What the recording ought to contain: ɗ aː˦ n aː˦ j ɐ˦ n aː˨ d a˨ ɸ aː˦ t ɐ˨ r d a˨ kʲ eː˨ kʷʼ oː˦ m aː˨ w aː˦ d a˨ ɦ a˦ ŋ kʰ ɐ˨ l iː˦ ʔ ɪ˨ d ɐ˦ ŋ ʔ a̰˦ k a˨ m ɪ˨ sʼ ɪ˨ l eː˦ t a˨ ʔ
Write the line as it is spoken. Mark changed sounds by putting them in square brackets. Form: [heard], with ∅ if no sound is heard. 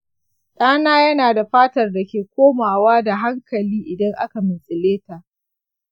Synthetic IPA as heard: ɗ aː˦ n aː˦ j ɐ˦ n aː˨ d a˨ ɸ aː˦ t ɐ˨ r d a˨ kʲ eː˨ [kʷ] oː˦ m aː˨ w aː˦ d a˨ ɦ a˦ ŋ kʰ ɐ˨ l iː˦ ʔ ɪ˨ d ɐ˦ ŋ ʔ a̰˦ k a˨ m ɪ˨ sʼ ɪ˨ l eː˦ t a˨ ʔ